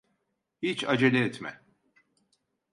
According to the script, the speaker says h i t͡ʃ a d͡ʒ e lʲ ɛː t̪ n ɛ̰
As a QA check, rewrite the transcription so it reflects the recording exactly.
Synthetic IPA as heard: h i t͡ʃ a d͡ʒ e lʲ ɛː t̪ m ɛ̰